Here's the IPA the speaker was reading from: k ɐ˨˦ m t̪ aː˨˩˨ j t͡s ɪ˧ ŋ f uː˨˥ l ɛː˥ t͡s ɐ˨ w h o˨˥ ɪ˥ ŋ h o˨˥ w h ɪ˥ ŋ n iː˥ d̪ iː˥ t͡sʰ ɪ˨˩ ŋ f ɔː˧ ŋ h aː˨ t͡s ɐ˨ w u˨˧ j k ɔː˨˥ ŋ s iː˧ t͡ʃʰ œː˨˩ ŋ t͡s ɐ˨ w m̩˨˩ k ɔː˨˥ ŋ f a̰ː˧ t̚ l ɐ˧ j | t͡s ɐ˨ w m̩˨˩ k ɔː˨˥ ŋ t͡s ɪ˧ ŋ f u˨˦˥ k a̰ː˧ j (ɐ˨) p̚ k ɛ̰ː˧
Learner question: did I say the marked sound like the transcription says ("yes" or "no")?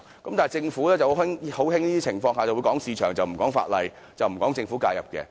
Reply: yes